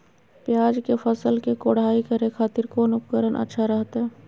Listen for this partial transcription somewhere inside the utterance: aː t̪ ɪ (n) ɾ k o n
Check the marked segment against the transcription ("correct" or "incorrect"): incorrect